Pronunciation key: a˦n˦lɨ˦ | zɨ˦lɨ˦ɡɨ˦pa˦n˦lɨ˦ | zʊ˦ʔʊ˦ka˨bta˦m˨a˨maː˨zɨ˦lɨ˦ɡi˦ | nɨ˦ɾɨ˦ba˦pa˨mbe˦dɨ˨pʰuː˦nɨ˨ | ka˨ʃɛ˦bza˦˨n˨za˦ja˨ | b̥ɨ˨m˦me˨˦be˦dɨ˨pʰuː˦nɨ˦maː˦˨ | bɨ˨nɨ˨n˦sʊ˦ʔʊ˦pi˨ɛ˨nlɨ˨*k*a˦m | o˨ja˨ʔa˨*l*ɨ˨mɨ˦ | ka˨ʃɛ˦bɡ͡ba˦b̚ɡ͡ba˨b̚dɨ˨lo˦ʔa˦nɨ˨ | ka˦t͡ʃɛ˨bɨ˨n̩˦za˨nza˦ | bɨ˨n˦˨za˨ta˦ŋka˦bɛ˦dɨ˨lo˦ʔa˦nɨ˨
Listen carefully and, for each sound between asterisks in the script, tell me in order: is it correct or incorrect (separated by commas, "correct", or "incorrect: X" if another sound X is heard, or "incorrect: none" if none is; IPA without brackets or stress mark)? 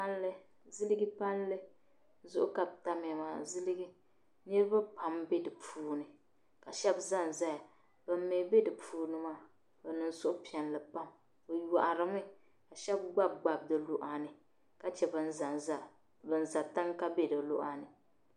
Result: incorrect: p, incorrect: ɾ